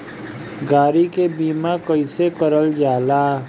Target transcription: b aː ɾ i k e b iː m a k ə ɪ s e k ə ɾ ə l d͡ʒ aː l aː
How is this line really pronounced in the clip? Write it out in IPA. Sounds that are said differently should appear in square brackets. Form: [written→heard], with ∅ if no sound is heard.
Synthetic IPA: [b→ɡ] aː ɾ i k e b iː m a k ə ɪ s e k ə ɾ ə l d͡ʒ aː l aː